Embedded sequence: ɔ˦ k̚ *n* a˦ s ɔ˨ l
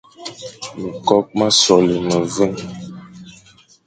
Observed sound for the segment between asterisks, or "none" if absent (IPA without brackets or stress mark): m